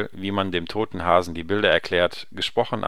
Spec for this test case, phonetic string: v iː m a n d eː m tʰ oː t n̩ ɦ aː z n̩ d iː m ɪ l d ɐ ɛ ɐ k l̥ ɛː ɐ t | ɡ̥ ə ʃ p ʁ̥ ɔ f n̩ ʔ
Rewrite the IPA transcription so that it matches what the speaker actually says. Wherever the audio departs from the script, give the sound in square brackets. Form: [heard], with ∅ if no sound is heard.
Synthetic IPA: v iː m a n d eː m tʰ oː t n̩ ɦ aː z n̩ d iː [b] ɪ l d ɐ ɛ ɐ k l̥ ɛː ɐ t | ɡ̥ ə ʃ p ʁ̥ ɔ [χ] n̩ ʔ